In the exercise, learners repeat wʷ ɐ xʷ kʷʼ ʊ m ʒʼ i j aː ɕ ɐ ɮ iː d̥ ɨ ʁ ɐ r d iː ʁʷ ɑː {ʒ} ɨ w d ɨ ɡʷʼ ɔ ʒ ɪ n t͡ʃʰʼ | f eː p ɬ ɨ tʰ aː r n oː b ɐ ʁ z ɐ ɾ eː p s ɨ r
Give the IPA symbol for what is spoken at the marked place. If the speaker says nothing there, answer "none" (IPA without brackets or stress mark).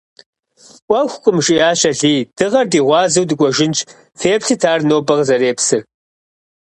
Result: z